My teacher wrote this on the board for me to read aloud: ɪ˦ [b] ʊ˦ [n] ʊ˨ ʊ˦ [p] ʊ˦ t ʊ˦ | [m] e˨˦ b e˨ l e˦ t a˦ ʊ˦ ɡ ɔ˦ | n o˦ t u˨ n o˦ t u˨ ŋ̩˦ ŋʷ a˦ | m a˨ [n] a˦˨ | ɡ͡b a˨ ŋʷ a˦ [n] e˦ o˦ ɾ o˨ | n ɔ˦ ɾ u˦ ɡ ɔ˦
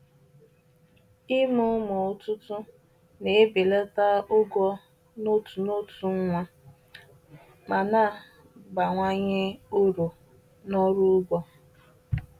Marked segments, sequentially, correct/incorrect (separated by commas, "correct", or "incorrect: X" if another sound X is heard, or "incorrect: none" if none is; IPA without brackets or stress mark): incorrect: m, incorrect: m, incorrect: t, incorrect: n, correct, incorrect: ɲ